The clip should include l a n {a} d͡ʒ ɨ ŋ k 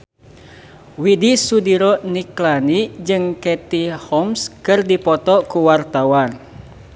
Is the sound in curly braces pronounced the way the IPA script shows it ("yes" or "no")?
no